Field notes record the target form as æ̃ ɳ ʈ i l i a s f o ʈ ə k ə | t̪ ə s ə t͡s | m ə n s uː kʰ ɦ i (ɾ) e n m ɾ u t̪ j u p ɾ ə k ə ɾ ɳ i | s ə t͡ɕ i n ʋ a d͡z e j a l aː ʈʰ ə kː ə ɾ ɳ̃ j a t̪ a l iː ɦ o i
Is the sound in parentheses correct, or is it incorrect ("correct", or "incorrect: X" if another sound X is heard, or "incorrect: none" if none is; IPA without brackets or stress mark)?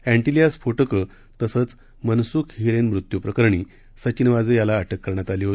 correct